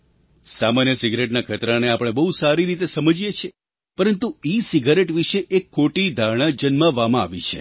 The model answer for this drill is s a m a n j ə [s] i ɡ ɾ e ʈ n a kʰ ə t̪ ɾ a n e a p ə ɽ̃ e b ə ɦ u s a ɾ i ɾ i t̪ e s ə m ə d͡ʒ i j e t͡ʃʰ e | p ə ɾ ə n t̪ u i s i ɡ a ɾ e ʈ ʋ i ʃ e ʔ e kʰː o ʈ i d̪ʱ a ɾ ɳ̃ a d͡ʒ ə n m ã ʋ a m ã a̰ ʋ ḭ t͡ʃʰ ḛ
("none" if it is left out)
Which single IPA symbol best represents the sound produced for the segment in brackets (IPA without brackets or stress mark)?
s